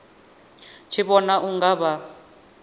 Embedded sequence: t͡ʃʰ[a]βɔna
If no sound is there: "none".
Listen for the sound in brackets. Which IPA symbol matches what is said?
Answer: i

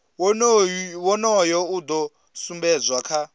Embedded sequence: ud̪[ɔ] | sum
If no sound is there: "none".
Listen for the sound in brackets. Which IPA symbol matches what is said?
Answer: ɔ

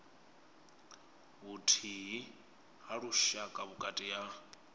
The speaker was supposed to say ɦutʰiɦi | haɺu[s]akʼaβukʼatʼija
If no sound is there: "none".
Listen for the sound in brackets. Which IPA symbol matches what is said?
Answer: ʃ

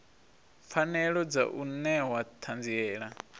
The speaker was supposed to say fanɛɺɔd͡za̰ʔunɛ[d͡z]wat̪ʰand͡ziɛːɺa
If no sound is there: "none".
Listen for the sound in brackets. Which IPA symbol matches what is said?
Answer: none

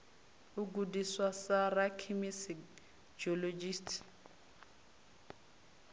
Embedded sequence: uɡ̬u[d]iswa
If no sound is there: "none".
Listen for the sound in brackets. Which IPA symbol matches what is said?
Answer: d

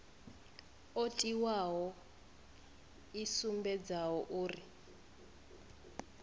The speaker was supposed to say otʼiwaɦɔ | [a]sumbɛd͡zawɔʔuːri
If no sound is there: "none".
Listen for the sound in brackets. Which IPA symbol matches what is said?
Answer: i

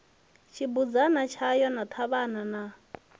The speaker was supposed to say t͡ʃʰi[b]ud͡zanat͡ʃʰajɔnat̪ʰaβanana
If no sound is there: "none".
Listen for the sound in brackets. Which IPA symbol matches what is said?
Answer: b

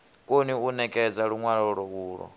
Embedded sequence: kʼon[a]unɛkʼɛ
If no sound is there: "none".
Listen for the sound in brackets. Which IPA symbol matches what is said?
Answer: i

